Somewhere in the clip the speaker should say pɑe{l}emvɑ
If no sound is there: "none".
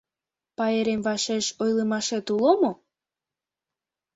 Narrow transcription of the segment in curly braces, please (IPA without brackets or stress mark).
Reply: ɾ